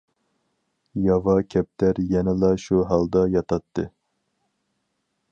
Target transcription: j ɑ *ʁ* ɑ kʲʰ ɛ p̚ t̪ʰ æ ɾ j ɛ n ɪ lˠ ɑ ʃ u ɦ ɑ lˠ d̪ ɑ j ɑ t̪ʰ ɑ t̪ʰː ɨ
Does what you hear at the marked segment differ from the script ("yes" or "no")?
yes